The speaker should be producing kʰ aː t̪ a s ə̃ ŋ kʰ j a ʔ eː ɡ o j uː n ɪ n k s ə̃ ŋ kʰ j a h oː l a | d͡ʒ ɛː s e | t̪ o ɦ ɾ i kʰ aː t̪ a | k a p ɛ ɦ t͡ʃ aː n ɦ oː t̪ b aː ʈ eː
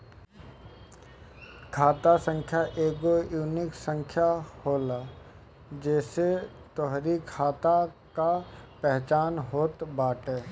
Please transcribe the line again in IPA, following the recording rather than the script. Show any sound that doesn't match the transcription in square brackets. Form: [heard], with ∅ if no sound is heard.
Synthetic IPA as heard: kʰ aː t̪ a s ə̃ ŋ kʰ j a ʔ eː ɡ o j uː n ɪ [∅] k s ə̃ ŋ kʰ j a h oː l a | d͡ʒ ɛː s e | t̪ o ɦ ɾ i kʰ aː t̪ a | k a p ɛ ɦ t͡ʃ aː n ɦ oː t̪ b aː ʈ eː